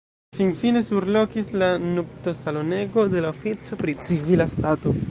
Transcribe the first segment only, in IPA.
f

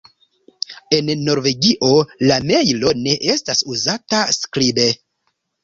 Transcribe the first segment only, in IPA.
e̞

